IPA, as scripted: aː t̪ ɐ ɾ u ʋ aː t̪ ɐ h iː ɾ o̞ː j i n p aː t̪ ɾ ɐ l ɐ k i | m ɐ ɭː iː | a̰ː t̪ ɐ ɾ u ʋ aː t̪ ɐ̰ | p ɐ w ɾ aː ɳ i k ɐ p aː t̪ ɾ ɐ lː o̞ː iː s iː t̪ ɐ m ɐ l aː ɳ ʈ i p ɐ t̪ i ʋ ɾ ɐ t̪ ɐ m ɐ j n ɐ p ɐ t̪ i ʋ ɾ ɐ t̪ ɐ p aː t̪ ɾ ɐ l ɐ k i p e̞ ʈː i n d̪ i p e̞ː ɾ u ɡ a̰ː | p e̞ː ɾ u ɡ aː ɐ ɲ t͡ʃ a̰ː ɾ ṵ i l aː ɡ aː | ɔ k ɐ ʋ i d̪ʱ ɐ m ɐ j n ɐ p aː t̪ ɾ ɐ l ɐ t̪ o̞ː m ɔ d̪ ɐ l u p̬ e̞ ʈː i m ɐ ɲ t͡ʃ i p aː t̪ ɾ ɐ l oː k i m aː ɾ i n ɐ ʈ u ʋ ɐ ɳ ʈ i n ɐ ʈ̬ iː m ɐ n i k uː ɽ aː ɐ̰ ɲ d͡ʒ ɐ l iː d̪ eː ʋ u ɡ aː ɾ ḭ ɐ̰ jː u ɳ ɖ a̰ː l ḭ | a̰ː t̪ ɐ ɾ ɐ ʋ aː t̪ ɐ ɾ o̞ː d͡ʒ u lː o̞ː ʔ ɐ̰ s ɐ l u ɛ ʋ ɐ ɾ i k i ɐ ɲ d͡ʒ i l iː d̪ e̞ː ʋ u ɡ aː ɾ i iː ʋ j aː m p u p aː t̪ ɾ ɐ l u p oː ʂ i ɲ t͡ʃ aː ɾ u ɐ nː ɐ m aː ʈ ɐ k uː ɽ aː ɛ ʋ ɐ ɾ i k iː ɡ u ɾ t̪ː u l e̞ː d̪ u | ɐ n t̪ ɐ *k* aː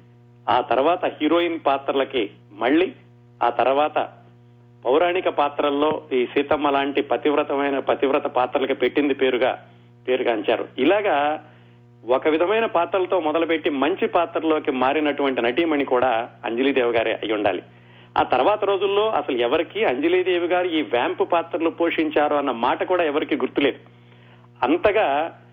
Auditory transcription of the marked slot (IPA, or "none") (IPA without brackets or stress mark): ɡ